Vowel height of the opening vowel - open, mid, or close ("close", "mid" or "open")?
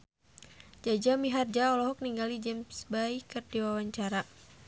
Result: open